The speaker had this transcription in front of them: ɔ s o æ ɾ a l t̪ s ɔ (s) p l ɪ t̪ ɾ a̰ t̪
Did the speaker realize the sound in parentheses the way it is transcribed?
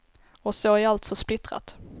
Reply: yes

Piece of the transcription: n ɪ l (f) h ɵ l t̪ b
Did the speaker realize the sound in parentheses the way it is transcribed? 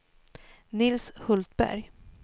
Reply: no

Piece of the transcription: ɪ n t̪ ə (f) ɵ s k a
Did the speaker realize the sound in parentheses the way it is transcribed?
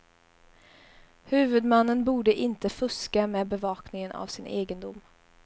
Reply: yes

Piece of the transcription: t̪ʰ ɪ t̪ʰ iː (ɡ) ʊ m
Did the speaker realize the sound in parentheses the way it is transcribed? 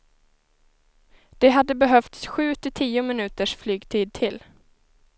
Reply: no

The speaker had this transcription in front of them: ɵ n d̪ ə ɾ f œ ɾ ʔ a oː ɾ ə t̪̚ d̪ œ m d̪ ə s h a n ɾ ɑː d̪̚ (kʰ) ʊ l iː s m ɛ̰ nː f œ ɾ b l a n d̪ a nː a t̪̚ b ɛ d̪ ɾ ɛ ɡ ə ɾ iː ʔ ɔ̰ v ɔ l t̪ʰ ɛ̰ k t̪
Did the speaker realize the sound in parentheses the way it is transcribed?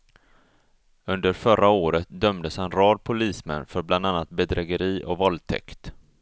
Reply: no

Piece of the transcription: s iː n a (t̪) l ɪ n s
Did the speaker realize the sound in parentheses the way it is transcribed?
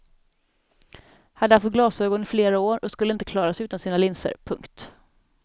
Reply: no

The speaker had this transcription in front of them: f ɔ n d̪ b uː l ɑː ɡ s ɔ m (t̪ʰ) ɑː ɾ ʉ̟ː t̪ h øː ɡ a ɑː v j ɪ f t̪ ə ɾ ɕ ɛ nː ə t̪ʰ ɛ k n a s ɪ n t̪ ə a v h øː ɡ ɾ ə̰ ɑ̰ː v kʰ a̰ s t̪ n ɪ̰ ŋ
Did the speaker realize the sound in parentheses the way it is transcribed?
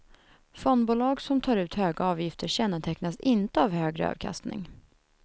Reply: yes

